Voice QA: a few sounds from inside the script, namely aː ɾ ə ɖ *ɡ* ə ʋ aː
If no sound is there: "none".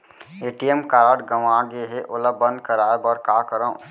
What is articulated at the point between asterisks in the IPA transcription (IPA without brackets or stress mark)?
ɡ